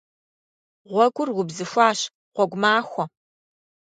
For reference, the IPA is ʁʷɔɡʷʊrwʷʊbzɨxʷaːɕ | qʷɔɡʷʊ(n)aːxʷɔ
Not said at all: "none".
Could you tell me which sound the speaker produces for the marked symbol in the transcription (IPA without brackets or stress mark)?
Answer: m